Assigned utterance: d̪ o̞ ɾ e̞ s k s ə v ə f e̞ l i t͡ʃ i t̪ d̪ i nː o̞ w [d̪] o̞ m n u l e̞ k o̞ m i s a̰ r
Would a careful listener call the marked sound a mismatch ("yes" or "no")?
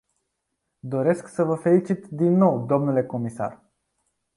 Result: no